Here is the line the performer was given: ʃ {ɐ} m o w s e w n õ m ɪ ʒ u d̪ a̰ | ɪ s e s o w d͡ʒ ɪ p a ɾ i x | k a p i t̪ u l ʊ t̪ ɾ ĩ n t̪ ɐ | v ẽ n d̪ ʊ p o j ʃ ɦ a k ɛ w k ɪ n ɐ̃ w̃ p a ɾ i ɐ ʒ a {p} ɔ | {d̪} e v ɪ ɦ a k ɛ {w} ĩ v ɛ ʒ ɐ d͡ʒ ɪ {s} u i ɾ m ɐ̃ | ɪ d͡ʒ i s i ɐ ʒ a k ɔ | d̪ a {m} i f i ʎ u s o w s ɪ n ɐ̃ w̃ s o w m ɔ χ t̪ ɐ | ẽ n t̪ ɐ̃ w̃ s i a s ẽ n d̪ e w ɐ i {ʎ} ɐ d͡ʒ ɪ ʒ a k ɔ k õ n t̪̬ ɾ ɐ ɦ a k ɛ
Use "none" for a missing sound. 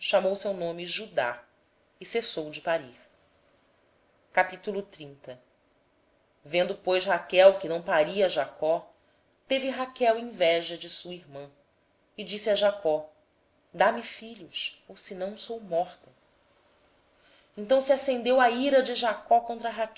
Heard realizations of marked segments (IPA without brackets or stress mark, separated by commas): a, k, t̪, w, s, m, ɾ